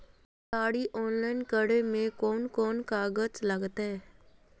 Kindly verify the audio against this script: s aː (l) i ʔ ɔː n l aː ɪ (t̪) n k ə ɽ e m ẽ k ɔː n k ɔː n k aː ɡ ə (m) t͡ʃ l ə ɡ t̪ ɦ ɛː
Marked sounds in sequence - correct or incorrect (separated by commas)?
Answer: incorrect, incorrect, incorrect